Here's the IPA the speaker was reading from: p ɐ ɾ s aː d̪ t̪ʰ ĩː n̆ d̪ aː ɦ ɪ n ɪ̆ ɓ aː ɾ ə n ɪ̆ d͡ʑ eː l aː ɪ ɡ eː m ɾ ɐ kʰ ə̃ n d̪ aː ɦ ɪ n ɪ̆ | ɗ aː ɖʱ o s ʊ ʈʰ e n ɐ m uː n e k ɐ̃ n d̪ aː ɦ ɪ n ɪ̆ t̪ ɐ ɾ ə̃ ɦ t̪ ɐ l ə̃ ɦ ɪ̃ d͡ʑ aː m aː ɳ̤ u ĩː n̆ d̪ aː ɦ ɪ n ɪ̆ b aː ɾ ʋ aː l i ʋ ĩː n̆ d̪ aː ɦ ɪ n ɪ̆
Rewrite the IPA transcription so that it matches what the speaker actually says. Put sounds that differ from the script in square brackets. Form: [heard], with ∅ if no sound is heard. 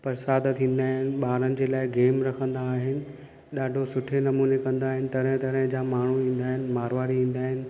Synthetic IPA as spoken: p ɐ ɾ s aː d̪ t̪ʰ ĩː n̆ d̪ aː ɦ ɪ n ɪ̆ ɓ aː ɾ ə n ɪ̆ d͡ʑ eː l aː ɪ ɡ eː m ɾ ɐ kʰ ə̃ n d̪ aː ɦ ɪ n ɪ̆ | ɗ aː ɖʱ o s ʊ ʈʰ e n ɐ m uː n e k ɐ̃ n d̪ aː ɦ ɪ n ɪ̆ t̪ ɐ ɾ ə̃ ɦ t̪ ɐ [ɾ] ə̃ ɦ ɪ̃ d͡ʑ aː m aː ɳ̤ u ĩː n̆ d̪ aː ɦ ɪ n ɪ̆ [m] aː ɾ ʋ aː [ɾ] i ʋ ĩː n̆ d̪ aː ɦ ɪ n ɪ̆

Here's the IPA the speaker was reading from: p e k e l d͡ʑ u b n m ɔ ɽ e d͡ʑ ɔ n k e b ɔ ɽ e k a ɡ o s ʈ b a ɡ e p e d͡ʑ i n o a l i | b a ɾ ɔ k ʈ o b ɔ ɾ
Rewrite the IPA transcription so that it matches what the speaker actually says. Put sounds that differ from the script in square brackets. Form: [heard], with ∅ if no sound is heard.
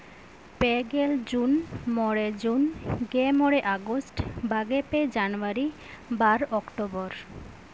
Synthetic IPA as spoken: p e [ɡ] e l d͡ʑ u [∅] n m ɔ ɽ e d͡ʑ [u] n [ɡ] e [m] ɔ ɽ e [ʔ] a ɡ o s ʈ b a ɡ e p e d͡ʑ [a] n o a [ɾ] i | b a ɾ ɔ k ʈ o b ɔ ɾ

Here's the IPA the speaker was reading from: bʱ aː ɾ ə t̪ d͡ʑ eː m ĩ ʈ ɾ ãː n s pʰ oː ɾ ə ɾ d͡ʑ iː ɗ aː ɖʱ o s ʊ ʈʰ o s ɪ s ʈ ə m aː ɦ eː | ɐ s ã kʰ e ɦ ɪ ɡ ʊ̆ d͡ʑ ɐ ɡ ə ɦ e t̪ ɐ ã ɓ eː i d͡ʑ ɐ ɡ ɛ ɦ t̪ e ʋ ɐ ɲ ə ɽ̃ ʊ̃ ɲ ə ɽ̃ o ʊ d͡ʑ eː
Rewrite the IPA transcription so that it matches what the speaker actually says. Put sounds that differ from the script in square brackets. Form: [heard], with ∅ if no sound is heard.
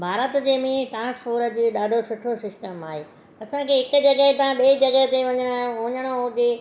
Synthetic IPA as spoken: bʱ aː ɾ ə t̪ d͡ʑ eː m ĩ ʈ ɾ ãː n s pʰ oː ɾ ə [∅] d͡ʑ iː ɗ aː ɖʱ o s ʊ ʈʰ o s ɪ s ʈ ə m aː ɦ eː | ɐ s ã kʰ e ɦ ɪ [k] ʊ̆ d͡ʑ ɐ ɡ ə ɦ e t̪ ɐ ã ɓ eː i d͡ʑ ɐ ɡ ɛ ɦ t̪ e ʋ ɐ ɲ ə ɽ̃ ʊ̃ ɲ ə ɽ̃ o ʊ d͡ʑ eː

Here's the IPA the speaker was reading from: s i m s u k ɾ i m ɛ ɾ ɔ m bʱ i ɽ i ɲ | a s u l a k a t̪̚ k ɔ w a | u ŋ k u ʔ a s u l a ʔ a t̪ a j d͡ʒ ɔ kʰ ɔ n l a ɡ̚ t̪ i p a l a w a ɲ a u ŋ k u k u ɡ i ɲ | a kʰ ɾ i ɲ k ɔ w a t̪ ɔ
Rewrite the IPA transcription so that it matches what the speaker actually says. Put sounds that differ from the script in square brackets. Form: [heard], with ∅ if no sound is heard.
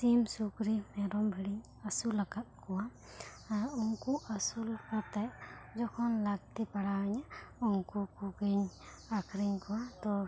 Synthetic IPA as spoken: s i m s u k ɾ i m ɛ ɾ ɔ m bʱ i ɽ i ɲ | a s u l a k a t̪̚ k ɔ w a | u ŋ k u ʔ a s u l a [k] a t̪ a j d͡ʒ ɔ kʰ ɔ n l a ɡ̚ t̪ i p a [ɽ] a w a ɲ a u ŋ k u k u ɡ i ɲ | a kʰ ɾ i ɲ k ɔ w a t̪ ɔ

